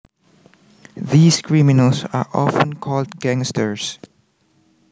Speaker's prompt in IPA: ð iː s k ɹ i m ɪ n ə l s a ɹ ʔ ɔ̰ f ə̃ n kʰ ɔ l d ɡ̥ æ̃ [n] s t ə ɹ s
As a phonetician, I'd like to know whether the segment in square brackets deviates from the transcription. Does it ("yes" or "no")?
yes